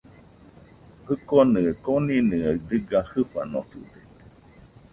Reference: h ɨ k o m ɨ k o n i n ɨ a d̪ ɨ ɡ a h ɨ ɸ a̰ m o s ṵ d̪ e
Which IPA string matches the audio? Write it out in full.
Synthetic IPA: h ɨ k o n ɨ k o n i n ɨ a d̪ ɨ ɡ a h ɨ ɸ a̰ n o s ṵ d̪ e